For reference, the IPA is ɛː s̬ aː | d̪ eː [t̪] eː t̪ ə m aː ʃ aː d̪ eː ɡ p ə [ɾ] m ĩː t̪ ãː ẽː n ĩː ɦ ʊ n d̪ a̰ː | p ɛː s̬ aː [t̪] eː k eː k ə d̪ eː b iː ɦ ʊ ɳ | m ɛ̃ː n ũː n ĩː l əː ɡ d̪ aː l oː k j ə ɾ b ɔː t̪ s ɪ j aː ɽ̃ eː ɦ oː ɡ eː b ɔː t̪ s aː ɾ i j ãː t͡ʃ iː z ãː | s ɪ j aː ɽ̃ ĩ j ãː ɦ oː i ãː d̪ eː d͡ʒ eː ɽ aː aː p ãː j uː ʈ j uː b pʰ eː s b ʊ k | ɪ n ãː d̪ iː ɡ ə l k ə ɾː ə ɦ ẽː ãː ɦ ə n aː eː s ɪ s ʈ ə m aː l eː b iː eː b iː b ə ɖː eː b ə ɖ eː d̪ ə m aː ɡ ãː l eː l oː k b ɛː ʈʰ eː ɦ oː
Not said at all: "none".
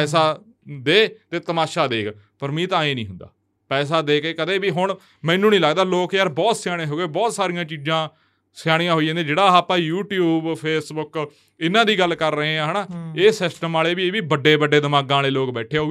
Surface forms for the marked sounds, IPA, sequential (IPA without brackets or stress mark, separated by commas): t̪, ɾ, d̪